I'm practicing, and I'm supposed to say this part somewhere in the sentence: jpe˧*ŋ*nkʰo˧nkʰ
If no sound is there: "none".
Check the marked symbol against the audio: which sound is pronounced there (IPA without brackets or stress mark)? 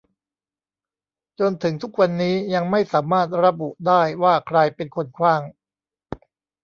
none